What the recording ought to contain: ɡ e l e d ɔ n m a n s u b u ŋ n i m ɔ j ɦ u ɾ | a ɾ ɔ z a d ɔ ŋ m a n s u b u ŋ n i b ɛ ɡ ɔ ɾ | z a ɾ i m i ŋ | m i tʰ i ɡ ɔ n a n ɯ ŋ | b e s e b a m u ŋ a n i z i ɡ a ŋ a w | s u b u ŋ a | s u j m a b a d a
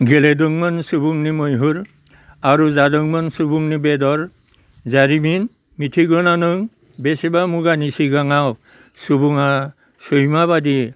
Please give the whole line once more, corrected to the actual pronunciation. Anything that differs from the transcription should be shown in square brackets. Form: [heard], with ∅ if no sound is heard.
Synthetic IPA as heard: ɡ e l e d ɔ [ŋ] m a n s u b u ŋ n i m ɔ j ɦ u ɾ | a ɾ [u] z a d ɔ ŋ m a n s u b u ŋ n i b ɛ [d] ɔ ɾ | z a ɾ i m i [n] | m i tʰ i ɡ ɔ n a n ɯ ŋ | b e s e b a m u [ɡ] a n i [s] i ɡ a ŋ a w | s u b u ŋ a | s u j m a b a d [i]